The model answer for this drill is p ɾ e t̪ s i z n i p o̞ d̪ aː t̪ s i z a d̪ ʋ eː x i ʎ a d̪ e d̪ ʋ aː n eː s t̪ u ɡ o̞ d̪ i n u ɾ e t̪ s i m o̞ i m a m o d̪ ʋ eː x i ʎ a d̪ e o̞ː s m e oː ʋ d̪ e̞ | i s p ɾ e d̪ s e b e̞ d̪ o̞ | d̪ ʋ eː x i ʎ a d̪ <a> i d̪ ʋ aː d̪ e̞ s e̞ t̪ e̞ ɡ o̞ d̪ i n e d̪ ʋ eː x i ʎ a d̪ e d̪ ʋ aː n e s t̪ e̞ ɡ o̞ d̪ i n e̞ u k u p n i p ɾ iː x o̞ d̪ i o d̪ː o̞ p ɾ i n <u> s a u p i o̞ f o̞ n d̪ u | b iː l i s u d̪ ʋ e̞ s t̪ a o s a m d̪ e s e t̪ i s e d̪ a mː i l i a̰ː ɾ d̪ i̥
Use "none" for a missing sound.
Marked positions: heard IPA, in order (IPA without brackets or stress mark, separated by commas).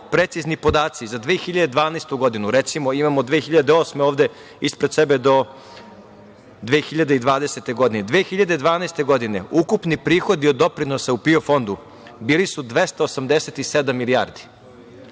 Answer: e, o